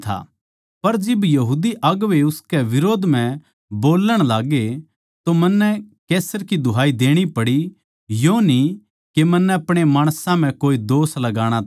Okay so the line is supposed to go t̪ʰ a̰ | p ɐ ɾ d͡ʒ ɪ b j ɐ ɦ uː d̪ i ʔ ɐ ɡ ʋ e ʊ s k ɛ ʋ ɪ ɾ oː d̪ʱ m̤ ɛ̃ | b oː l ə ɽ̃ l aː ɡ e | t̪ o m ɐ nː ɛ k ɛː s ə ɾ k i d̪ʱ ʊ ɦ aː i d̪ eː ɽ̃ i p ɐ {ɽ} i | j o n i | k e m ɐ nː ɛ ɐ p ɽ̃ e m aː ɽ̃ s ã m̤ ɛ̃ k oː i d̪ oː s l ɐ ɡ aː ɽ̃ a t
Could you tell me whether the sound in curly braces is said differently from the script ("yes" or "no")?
no